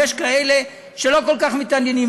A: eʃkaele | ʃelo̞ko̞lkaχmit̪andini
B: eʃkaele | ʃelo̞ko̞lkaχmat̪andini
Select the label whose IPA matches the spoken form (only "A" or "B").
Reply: A